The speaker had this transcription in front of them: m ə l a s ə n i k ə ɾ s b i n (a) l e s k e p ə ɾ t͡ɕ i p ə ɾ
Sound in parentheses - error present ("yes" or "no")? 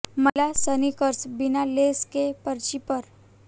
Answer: no